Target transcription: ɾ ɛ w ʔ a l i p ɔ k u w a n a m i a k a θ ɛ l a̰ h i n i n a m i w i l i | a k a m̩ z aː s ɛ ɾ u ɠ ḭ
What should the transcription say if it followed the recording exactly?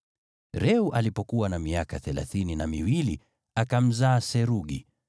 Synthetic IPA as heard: ɾ ɛ u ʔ a l i p ɔ k u w a n a m i a k a θ ɛ l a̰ θ i n i n a m i w i l i | a k a m̩ z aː s ɛ ɾ u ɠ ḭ